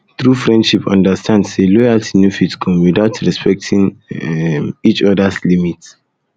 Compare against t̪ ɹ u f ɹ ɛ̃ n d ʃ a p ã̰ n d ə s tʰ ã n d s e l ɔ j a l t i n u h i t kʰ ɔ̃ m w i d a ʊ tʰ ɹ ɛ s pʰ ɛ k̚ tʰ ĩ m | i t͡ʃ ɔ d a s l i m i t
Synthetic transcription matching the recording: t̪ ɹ u f ɹ ɛ̃ n d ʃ i p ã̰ n d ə s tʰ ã n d s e l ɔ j a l t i n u f i t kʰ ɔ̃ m w i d a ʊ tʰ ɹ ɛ s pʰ ɛ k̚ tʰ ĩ ŋ | i t͡ʃ ɔ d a s l i m i t